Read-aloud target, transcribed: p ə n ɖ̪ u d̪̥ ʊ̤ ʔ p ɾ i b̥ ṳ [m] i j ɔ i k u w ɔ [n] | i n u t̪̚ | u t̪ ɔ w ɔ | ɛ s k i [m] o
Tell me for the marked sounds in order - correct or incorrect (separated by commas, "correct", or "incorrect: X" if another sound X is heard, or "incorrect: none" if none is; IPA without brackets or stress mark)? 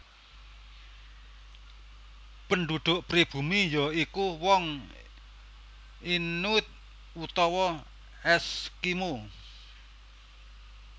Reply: correct, incorrect: ŋ, correct